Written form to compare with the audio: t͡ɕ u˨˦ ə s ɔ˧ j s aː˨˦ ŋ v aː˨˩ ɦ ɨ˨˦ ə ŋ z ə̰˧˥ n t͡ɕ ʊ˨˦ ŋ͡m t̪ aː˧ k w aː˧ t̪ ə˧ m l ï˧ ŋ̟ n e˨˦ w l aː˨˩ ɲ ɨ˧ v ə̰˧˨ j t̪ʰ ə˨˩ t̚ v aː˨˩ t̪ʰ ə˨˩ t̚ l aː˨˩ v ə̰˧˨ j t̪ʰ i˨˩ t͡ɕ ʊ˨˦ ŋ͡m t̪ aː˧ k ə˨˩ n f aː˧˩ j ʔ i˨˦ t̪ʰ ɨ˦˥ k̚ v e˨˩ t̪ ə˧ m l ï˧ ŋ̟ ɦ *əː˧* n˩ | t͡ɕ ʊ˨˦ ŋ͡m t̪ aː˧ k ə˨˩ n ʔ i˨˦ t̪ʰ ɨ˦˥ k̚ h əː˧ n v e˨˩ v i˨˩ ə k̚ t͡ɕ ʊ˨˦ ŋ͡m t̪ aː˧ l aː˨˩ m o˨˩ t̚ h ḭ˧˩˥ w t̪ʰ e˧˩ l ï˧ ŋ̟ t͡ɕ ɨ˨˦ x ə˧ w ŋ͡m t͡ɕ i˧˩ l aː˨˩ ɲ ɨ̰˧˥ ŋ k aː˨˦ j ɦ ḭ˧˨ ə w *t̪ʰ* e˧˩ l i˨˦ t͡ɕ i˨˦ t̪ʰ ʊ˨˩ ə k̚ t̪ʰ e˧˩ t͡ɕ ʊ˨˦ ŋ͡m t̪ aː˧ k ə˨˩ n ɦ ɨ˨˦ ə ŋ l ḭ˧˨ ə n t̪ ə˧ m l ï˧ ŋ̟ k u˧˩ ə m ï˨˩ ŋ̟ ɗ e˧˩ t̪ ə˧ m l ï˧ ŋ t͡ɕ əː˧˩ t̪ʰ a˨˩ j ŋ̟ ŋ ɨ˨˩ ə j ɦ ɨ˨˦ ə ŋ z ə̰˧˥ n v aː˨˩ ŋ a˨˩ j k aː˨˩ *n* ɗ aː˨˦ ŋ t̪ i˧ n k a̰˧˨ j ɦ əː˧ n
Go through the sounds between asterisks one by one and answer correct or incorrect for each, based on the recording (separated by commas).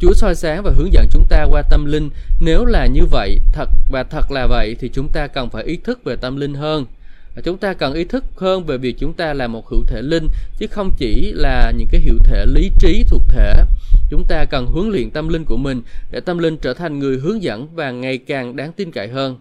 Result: correct, correct, incorrect